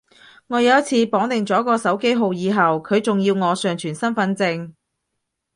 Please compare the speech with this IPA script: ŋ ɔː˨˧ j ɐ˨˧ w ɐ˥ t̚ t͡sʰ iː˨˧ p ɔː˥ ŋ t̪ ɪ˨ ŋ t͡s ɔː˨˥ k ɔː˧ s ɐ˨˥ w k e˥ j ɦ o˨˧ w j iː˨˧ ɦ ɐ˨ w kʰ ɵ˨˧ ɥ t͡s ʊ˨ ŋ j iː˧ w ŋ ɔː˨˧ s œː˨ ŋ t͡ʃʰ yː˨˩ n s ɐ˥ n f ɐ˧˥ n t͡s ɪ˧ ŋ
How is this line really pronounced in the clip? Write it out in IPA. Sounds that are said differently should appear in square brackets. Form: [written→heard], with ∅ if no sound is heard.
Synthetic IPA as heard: ŋ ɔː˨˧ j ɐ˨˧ w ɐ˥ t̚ t͡sʰ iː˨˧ p [ɔː˥→ɔː˨˥] ŋ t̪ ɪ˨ ŋ t͡s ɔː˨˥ k ɔː˧ s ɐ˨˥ w k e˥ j ɦ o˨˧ w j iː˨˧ ɦ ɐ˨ w kʰ ɵ˨˧ ɥ t͡s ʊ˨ ŋ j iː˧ w ŋ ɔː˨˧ s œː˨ ŋ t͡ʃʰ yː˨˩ n s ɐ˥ n f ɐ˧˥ n t͡s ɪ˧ ŋ